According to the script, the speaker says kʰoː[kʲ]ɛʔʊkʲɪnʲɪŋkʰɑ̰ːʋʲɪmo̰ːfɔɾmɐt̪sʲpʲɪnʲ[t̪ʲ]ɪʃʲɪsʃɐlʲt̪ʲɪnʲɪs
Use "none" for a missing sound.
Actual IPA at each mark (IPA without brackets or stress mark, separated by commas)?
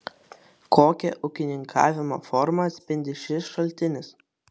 kʲ, d̪ʲ